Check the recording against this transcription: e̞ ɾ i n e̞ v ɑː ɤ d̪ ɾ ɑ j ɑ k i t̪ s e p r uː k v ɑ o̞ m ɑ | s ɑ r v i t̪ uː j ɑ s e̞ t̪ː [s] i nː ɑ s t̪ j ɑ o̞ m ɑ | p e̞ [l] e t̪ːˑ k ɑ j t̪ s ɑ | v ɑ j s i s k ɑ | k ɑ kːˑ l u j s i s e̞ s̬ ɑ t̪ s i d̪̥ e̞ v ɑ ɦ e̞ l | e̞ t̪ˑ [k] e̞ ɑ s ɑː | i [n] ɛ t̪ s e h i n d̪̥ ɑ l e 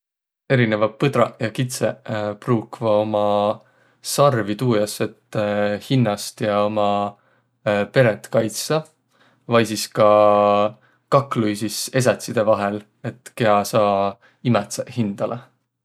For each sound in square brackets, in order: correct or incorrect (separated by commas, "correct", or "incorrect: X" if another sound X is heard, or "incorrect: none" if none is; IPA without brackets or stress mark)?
incorrect: h, incorrect: ɾ, correct, incorrect: m